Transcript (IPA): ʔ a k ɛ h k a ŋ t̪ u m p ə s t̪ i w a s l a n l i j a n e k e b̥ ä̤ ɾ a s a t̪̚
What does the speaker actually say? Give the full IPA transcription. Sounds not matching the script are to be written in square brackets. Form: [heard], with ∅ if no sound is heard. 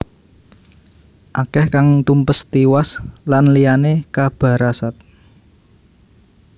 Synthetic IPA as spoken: ʔ a k ɛ h k a ŋ t̪ u m p ə s t̪ i w a s l a n l i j a n e k [a] b̥ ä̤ ɾ a s a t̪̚

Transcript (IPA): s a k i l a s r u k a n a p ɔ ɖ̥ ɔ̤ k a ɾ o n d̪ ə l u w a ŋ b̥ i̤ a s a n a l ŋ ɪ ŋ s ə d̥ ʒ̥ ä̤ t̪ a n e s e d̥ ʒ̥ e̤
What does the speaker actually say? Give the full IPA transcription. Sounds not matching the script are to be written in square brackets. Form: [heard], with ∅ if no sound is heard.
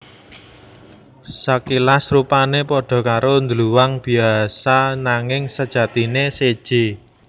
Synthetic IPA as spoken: s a k i l a s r u [p] a n [e] p ɔ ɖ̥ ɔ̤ k a ɾ o n d̪ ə l u w a ŋ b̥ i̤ a s a n a [∅] ŋ ɪ ŋ s ə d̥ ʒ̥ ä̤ t̪ [i] n e s e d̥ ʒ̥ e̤

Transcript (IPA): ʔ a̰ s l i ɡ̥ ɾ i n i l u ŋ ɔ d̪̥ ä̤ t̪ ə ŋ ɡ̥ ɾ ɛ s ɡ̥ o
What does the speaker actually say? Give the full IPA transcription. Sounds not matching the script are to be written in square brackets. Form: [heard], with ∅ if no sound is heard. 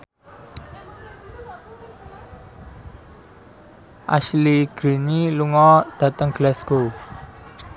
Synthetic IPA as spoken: ʔ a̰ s l i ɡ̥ ɾ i n i l u ŋ ɔ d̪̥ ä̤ t̪ ə ŋ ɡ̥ [l] ɛ s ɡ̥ o

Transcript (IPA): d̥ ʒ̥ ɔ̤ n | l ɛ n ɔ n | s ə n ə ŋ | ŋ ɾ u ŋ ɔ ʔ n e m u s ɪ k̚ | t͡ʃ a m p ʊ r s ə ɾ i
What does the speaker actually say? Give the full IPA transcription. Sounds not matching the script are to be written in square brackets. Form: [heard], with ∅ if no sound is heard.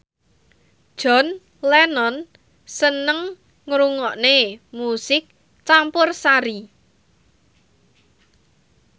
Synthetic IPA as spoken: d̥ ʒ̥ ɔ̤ n | l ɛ n ɔ n | s ə n ə ŋ | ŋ ɾ u ŋ ɔ ʔ n e m u s ɪ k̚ | t͡ʃ a m p ʊ r s [a] ɾ i

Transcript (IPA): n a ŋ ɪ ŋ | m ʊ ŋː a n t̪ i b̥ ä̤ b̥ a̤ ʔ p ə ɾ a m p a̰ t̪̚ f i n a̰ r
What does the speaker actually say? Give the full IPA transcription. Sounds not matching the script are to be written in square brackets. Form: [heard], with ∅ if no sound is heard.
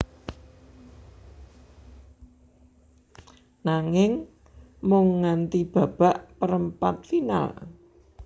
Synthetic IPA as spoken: n a ŋ ɪ ŋ | m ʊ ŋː a n t̪ i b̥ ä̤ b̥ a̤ ʔ p ə ɾ [ə] m p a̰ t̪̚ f i n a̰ [l]

